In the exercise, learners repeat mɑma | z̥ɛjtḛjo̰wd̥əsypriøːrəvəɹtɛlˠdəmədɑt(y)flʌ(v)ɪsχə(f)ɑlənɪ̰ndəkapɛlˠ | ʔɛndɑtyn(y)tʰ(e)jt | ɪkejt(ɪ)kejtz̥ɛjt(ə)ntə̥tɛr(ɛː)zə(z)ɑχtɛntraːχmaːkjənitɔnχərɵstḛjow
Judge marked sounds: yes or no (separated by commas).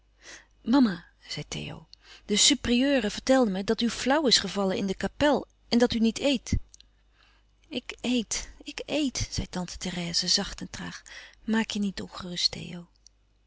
yes, no, no, no, yes, yes, no, yes, yes